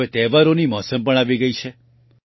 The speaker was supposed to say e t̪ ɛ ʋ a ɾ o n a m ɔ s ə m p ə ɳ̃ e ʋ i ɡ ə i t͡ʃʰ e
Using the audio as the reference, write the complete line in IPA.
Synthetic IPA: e t̪ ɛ ʋ a ɾ o n i m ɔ s ə m p ə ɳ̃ a ʋ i ɡ ə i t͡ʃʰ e